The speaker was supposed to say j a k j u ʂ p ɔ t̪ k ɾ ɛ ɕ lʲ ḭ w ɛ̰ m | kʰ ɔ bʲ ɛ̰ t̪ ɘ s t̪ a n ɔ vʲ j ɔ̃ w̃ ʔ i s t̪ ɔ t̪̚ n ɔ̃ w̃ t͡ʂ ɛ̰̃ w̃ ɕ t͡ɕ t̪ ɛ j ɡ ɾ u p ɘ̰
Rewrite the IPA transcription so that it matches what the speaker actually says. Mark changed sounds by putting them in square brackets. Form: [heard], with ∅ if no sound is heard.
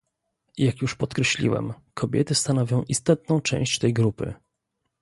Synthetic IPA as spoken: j a k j u ʂ p ɔ t̪ k ɾ ɛ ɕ lʲ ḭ w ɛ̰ m | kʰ ɔ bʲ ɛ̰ t̪ ɘ s t̪ a n ɔ vʲ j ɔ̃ w̃ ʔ i s t̪ ɔ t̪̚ n ɔ̃ w̃ t͡ʂ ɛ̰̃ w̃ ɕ t͡ɕ t̪ ɛ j ɡ ɾ u p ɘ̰